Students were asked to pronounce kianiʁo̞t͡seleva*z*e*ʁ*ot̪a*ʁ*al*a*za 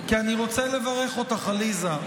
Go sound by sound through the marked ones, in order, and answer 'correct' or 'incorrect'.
incorrect, incorrect, incorrect, incorrect

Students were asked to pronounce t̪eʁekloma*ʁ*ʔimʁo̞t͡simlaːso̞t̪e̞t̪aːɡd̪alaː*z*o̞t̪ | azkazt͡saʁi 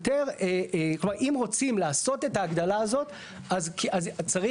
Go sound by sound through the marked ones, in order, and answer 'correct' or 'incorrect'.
correct, correct

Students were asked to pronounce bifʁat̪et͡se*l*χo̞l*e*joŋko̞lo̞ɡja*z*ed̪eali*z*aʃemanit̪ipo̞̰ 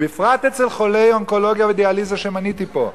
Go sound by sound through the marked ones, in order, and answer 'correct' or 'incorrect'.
correct, correct, incorrect, correct

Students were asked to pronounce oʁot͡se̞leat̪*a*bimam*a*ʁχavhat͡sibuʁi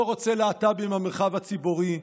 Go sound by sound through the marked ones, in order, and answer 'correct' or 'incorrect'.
correct, incorrect

